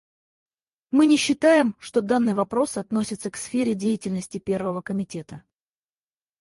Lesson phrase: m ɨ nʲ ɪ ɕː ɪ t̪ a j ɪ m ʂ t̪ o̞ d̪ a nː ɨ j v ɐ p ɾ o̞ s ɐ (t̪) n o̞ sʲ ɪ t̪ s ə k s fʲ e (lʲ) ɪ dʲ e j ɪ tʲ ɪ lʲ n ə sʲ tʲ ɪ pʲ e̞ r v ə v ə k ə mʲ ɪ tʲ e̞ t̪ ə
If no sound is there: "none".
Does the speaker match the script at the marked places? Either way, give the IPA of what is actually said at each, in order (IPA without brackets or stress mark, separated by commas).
t̪, ɾʲ